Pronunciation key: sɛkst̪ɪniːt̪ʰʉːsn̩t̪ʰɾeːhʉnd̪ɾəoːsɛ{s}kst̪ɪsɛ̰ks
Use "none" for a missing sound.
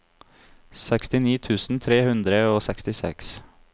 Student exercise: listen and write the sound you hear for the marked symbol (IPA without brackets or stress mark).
none